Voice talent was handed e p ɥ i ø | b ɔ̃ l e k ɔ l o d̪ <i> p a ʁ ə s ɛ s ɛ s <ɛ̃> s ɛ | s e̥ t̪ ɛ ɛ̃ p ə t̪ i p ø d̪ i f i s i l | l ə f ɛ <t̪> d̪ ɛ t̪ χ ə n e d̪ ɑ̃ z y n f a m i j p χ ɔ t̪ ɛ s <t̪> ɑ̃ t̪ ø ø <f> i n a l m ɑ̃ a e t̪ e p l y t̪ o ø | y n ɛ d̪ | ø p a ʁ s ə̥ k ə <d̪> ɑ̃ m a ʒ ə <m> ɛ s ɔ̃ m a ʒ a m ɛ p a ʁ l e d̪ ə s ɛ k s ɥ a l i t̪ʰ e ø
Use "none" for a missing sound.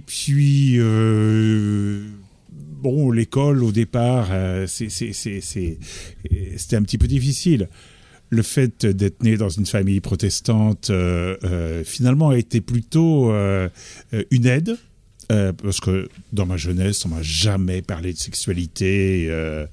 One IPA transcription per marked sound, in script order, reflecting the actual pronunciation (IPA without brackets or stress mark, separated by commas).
e, ɛ, t̪, t̪, f, d̪, n